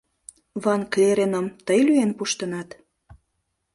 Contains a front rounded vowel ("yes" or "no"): yes